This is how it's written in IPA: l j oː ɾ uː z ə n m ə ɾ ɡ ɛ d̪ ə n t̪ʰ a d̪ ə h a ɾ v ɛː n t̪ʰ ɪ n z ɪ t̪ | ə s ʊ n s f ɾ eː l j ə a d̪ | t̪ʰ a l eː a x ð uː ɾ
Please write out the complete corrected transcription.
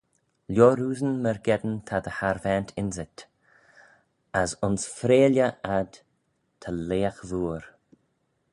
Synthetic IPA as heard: l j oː ɾ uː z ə n m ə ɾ ɡ ɛ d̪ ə n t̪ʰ a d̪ ə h a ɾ v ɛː n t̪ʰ ɪ n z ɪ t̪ | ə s ʊ n s f ɾ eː l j ə a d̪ | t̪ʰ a l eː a x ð uː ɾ